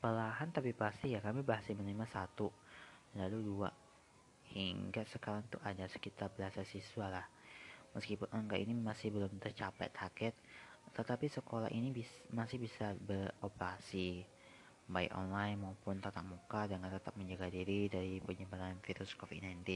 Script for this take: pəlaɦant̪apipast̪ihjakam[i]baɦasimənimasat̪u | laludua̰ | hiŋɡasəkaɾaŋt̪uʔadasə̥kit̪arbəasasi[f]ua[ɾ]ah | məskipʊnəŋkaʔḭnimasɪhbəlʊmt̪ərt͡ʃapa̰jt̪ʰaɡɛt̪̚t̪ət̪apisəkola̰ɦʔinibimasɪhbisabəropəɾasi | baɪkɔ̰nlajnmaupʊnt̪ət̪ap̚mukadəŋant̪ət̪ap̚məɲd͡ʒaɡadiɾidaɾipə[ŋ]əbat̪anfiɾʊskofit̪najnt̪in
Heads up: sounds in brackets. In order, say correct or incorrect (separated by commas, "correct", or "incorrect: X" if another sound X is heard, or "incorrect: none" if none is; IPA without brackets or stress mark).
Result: correct, incorrect: s, incorrect: l, incorrect: ɲ